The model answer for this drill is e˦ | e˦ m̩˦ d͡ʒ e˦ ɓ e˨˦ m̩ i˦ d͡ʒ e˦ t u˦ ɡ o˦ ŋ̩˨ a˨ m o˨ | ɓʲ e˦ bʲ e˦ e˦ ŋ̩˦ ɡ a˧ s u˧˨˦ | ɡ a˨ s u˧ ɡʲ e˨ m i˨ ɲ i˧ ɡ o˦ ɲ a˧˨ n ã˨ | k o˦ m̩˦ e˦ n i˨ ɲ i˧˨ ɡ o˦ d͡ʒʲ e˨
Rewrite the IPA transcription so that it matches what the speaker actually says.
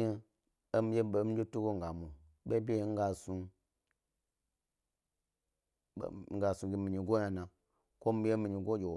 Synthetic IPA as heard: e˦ | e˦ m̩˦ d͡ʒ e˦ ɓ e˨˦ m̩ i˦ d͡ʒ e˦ t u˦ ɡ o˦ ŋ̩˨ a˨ m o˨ | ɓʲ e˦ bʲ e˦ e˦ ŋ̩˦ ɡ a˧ s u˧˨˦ | ɡ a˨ s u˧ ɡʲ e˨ m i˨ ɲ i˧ ɡ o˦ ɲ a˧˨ n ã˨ | k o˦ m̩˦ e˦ m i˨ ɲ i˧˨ ɡ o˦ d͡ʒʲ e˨

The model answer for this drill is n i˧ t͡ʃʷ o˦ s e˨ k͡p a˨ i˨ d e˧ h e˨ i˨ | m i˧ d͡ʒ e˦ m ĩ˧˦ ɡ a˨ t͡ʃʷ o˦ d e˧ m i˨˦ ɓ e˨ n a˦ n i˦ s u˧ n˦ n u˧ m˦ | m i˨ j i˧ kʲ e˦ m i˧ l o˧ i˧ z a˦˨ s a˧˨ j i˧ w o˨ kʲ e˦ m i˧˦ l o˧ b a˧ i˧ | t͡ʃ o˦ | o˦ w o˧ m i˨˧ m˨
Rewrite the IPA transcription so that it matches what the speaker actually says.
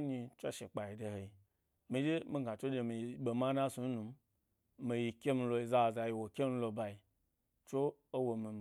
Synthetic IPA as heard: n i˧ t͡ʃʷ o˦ ʃ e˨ k͡p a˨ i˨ d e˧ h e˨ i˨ | m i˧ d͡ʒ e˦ m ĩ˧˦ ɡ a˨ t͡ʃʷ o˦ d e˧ m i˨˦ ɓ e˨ m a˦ n a˦ s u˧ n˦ n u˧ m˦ | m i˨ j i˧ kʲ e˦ m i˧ l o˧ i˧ z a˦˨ z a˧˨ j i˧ w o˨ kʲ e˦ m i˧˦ l o˧ b a˧ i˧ | t͡ʃ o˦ | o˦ w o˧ m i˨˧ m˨

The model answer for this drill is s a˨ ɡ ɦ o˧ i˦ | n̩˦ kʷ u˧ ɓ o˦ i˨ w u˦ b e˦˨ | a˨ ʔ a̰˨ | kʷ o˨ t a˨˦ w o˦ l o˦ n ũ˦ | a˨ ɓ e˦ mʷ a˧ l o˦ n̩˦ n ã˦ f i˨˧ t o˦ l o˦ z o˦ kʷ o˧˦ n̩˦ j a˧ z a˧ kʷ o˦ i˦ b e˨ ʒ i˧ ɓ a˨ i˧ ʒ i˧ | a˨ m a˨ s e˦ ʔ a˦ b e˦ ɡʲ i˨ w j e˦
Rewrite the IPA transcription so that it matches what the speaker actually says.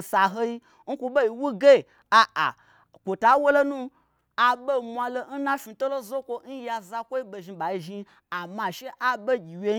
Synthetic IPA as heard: s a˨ ɦ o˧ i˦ | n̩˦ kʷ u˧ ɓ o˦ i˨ w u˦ ɡ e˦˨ | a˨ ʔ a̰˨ | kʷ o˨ t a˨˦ w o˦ l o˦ n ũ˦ | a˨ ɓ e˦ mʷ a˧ l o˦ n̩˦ n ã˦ f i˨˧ t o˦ l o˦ z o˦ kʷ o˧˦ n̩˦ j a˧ z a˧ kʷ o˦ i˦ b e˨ ʒ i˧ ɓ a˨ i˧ ʒ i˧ | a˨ m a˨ ʃ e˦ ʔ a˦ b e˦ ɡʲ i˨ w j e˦

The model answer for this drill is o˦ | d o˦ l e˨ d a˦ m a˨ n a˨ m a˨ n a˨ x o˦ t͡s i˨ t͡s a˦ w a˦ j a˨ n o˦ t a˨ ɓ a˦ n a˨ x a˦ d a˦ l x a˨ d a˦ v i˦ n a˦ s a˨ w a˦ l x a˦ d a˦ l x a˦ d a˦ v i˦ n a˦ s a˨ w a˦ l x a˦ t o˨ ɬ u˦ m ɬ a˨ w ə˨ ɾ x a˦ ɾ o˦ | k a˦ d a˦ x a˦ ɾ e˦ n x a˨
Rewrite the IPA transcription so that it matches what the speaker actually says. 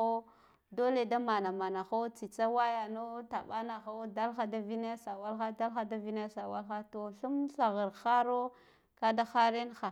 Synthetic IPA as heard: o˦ | d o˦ l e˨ d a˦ m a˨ n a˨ m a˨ n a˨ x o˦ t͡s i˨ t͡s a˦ w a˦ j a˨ n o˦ t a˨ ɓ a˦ n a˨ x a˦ d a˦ l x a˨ d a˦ v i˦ n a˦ s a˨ w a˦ l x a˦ d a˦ l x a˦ d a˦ v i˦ n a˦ s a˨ w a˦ l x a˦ t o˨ ɬ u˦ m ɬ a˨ ɣ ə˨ ɾ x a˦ ɾ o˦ | k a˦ d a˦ x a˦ ɾ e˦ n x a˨

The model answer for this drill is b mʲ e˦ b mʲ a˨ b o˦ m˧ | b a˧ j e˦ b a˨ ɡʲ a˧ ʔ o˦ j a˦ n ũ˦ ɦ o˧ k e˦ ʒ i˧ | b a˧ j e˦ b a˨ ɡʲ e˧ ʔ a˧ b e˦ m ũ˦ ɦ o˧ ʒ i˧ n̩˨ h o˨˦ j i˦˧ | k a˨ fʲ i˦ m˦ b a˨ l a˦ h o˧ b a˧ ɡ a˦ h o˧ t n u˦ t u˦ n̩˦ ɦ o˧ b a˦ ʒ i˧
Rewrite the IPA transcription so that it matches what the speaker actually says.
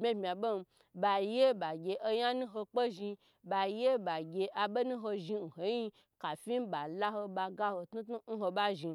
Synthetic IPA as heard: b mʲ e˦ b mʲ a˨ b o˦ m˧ | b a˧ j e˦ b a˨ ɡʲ e˧ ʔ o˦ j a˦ n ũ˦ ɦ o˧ k͡p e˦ ʒ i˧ | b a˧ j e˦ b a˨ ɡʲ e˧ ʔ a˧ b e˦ n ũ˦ ɦ o˧ ʒ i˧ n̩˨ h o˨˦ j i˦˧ | k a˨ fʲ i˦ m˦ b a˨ l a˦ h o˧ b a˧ ɡ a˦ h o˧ t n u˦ t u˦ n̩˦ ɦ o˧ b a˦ ʒ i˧

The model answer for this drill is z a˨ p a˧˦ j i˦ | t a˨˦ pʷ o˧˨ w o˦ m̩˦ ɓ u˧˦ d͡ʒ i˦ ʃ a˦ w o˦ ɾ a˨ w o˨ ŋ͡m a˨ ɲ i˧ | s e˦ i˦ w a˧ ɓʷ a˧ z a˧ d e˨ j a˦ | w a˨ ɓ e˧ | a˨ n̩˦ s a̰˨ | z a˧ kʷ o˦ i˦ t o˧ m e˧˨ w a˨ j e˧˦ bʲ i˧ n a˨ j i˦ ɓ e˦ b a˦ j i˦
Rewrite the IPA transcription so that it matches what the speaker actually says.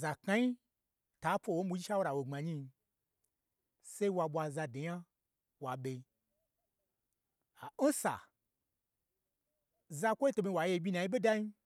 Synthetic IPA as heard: z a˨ k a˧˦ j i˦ | t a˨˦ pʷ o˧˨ w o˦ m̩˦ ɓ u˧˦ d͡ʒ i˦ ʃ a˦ w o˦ ɾ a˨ w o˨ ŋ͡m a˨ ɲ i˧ | s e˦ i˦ w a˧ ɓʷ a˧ z a˧ d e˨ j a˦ | w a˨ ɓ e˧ | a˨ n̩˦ s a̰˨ | z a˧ kʷ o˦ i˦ t o˧ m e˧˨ w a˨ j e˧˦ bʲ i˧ n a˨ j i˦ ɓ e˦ d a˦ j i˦

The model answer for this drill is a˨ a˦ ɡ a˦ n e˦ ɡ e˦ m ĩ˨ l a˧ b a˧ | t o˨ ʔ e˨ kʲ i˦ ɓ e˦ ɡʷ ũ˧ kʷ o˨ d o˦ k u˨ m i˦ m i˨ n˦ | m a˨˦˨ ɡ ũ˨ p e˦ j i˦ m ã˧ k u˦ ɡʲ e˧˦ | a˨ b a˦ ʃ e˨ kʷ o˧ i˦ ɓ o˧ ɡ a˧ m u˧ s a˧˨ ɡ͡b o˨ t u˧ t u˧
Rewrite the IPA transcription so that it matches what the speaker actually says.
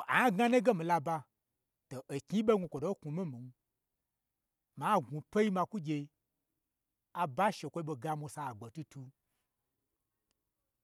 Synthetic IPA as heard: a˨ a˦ ɡ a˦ n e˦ ɡ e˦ m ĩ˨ l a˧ b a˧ | t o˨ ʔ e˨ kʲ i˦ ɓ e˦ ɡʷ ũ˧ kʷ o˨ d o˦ k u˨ m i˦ m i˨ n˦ | m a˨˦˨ ɡ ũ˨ p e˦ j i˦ m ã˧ k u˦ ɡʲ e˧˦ | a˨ b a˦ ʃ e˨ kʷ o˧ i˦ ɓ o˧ ɡ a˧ m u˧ s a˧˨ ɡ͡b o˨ t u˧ t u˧

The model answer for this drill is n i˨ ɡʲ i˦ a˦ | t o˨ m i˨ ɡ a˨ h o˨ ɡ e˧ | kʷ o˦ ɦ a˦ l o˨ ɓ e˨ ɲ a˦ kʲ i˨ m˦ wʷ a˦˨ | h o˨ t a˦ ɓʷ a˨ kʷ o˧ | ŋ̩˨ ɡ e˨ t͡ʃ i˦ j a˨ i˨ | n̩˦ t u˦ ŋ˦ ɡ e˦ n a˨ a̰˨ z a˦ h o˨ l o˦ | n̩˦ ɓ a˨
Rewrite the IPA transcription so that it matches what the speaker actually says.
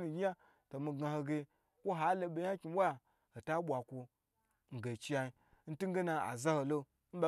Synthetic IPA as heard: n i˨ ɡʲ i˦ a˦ | t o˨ m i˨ ɡ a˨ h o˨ ɡ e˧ | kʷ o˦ ɦ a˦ l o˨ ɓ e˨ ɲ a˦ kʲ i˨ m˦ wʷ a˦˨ | h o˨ t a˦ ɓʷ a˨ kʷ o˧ | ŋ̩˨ ɡ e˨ t͡ʃ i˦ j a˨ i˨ | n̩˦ t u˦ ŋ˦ ɡ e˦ n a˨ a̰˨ z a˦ h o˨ l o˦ | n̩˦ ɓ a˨

